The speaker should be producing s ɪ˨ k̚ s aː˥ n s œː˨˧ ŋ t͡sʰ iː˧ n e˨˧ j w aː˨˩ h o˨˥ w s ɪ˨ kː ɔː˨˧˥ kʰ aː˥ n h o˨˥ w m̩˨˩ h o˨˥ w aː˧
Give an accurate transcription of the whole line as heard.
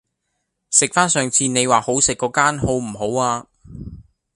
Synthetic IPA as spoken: s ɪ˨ k̚ f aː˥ n s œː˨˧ ŋ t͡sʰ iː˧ n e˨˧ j w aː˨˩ h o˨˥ w s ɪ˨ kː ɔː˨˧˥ k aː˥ n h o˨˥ w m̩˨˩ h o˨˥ w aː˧